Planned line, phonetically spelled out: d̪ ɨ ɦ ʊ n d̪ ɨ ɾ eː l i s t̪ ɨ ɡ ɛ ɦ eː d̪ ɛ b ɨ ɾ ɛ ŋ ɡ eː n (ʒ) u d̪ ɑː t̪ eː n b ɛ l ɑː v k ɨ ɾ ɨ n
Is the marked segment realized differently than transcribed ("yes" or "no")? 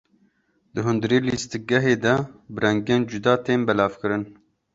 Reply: yes